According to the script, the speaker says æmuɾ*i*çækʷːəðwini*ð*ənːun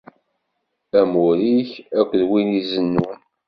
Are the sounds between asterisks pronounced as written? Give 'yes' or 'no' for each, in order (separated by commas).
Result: yes, no